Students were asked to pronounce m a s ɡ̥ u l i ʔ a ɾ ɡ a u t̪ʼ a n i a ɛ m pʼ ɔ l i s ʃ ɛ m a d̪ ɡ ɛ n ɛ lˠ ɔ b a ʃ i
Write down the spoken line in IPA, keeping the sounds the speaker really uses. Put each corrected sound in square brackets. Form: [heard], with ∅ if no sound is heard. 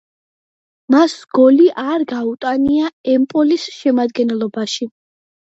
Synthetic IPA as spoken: m a s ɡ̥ [ɔ] l i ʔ a ɾ ɡ a u t̪ʼ a n i a ɛ m pʼ ɔ l i s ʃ ɛ m a d̪ ɡ ɛ n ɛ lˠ ɔ b a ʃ i